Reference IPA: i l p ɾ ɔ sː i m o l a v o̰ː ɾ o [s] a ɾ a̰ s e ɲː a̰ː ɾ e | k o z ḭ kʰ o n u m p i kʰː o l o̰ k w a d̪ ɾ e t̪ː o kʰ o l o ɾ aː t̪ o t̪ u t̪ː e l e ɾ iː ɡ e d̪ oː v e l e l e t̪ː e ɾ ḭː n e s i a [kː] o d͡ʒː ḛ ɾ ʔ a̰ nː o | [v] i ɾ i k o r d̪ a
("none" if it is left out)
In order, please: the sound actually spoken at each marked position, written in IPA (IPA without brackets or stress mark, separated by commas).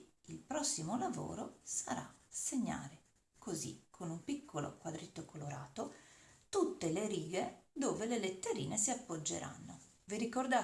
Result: s, pː, v